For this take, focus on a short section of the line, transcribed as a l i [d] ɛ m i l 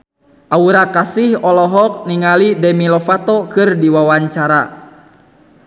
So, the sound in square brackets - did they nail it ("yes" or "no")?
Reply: yes